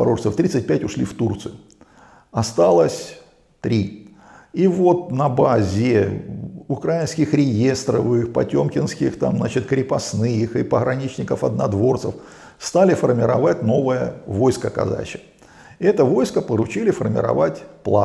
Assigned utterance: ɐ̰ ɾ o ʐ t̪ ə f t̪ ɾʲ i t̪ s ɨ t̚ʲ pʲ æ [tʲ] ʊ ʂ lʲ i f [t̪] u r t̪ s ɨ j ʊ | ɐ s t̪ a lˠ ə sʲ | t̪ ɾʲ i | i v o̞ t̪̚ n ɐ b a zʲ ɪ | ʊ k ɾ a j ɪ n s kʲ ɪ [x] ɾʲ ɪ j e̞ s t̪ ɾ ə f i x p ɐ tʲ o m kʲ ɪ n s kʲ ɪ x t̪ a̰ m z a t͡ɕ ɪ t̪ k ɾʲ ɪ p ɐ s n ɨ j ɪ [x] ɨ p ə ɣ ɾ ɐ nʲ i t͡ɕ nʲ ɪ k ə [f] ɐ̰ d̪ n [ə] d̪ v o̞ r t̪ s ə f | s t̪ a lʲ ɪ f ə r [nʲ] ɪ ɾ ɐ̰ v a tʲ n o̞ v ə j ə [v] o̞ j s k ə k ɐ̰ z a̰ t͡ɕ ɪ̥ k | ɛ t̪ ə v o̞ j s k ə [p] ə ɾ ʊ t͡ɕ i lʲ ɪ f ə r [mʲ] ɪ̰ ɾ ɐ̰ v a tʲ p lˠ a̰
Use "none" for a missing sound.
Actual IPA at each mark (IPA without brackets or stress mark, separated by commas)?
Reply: tʲ, t̪, x, x, f, ɐ, mʲ, v, p, mʲ